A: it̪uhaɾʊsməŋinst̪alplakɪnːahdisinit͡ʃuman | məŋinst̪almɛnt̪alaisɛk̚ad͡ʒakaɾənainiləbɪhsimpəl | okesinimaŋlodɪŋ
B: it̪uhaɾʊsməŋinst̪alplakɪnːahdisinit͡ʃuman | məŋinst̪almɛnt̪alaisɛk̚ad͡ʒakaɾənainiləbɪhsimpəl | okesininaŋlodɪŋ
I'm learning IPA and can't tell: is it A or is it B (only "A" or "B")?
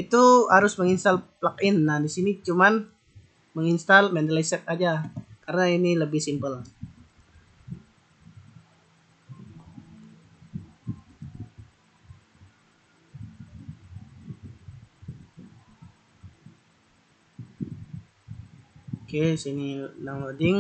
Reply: B